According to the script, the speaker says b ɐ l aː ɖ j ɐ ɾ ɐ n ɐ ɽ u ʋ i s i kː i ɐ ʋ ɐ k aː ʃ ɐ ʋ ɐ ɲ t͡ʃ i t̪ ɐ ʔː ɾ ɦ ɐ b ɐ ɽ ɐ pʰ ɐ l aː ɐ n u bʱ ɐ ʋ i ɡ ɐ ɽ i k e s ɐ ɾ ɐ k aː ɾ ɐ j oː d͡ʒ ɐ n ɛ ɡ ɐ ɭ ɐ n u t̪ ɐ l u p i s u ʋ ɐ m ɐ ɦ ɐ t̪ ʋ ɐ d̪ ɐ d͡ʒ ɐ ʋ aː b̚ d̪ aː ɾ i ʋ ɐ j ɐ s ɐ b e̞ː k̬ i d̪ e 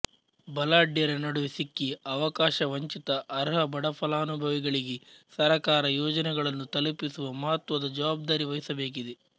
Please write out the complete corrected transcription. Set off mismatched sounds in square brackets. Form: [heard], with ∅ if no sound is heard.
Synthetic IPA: b ɐ l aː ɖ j ɐ ɾ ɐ n ɐ ɽ u ʋ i s i kː i ɐ ʋ ɐ k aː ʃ ɐ ʋ ɐ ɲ t͡ʃ i t̪ ɐ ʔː ɾ ɦ ɐ b ɐ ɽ ɐ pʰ ɐ l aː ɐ n u bʱ ɐ ʋ i ɡ ɐ [ɭ] i [ɡ] e s ɐ ɾ ɐ k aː ɾ ɐ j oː d͡ʒ ɐ n ɛ ɡ ɐ ɭ ɐ [nː] u t̪ ɐ l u p i s u ʋ ɐ m ɐ ɦ ɐ t̪ ʋ ɐ d̪ ɐ d͡ʒ ɐ ʋ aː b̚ d̪ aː ɾ i ʋ ɐ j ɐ s ɐ b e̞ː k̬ i d̪ e